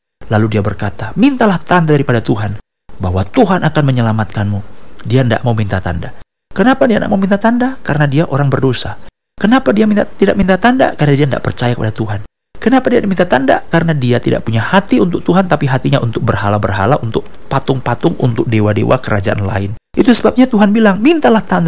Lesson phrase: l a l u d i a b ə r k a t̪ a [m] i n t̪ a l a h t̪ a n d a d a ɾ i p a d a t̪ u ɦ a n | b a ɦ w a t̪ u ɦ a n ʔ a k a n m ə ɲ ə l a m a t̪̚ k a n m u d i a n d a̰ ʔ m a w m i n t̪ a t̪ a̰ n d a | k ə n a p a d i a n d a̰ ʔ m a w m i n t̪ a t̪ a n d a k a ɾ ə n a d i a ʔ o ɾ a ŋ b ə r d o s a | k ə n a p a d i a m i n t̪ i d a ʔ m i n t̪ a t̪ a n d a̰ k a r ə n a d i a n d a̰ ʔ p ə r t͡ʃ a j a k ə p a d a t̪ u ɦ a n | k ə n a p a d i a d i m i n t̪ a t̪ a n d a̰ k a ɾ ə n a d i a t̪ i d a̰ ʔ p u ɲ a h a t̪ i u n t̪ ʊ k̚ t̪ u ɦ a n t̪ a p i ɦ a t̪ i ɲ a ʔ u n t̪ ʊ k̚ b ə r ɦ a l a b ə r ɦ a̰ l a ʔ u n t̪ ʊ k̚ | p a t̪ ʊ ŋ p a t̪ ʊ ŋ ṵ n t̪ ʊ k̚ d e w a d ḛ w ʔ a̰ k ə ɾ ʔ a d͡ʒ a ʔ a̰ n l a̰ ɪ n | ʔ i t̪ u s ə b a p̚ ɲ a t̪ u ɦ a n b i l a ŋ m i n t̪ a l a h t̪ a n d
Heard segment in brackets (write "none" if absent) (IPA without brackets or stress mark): m